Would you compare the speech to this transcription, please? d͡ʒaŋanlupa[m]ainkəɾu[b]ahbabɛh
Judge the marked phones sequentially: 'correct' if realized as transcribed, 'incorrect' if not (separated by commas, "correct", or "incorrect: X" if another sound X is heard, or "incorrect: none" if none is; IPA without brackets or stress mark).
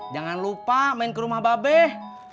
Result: correct, incorrect: m